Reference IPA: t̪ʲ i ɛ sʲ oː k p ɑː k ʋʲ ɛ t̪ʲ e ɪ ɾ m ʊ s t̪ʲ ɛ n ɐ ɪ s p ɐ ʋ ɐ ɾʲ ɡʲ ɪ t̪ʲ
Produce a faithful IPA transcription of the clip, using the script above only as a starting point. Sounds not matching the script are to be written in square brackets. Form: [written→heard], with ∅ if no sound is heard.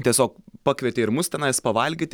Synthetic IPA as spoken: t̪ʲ i ɛ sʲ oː k p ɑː k ʋʲ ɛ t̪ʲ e ɪ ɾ m ʊ s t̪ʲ ɛ n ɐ ɪ s p ɐ ʋ ɐ [ɾʲ→lʲ] ɡʲ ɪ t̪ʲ